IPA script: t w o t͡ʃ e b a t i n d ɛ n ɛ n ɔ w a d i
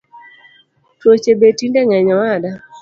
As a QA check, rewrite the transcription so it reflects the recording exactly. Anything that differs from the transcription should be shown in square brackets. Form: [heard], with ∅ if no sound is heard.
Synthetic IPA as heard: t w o t͡ʃ e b [e] t i n d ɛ [ŋ] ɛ [ɲ] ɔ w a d [a]

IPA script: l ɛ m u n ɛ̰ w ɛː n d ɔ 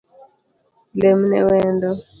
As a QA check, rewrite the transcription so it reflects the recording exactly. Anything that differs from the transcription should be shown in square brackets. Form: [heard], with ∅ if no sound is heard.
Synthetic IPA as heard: l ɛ m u n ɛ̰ w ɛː n d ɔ

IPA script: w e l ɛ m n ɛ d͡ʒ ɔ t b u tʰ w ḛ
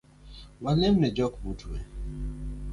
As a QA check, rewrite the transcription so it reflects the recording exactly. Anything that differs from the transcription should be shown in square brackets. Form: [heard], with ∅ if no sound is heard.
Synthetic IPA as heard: w [a] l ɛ m n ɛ d͡ʒ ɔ [k] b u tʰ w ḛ

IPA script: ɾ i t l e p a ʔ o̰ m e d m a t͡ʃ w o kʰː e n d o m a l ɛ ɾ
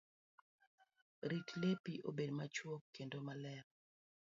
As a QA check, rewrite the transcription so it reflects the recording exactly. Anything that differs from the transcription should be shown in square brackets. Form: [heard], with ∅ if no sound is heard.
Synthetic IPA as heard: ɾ i t l e p [i] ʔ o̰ [b] e d m a t͡ʃ w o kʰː e n d o m a l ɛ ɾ

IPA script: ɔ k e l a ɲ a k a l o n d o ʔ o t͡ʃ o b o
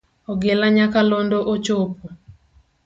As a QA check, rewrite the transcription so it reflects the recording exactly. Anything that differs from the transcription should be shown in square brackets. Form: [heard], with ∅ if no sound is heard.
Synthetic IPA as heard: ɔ [ɡ] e l a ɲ a k a l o n d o ʔ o t͡ʃ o [p] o

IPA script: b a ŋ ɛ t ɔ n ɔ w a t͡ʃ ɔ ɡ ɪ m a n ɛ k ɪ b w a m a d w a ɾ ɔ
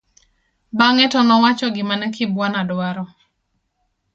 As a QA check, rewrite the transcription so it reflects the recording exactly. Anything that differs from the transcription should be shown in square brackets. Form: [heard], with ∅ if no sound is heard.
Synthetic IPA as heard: b a ŋ ɛ t ɔ n ɔ w a t͡ʃ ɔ ɡ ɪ m a n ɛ k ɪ b w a [n] a d w a ɾ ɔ

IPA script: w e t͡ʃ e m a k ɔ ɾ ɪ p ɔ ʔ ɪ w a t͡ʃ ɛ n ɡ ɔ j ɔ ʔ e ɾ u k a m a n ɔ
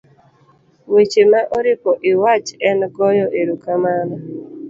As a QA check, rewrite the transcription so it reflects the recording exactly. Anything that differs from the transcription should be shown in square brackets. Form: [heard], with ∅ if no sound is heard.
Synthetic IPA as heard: w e t͡ʃ e m a [ʔ] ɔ ɾ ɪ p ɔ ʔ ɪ w a t͡ʃ ɛ n ɡ ɔ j ɔ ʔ e ɾ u k a m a n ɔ

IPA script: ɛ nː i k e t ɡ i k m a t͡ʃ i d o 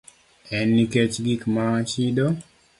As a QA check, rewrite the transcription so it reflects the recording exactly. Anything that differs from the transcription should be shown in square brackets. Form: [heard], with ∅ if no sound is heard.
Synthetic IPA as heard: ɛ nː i k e [t͡ʃ] ɡ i k m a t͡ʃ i d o

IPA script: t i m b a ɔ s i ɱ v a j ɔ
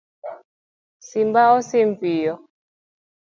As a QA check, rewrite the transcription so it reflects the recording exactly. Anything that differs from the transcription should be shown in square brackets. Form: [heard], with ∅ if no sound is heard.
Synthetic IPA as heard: [s] i m b a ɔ s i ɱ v [i] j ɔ

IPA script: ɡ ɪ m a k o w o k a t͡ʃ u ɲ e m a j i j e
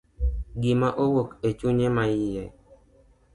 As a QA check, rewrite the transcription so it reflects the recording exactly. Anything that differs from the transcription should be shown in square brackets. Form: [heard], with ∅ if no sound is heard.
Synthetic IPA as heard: ɡ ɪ m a [ʔ] o w o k [e] t͡ʃ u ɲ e m a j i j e

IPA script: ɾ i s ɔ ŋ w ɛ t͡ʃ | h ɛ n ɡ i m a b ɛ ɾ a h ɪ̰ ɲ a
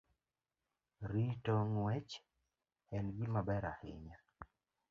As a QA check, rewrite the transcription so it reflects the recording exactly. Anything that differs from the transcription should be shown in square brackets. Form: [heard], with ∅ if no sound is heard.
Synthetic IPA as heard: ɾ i [t] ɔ ŋ w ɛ t͡ʃ | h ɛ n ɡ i m a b ɛ ɾ a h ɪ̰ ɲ a

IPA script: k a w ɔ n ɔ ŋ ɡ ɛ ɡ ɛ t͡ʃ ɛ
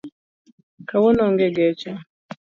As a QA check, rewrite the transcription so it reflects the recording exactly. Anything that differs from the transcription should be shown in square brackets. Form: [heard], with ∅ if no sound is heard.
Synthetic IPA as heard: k a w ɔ n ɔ ŋ ɡ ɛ ɡ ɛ t͡ʃ [a]

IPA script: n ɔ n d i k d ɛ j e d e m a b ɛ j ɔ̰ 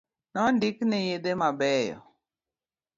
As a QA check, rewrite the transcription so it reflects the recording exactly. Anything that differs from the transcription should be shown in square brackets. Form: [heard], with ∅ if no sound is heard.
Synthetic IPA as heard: n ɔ n d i k [n] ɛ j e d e m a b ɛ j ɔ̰

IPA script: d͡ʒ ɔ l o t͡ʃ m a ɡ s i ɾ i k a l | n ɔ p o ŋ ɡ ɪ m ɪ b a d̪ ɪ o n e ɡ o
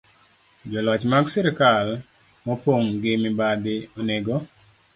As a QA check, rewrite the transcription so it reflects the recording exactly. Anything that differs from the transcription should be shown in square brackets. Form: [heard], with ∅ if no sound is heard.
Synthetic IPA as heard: d͡ʒ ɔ l [ɔ] t͡ʃ m a ɡ s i ɾ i k a l | [m] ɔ p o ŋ ɡ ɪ m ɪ b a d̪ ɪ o n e ɡ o

